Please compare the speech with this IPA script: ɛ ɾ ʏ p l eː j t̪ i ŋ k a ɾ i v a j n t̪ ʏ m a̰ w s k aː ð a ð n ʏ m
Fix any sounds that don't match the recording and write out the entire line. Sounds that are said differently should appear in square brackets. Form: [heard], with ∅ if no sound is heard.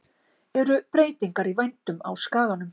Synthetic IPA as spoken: ɛ ɾ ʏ p [ɾ] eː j t̪ i ŋ k a ɾ i v a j n t̪ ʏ m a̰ w s k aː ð a [∅] n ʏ m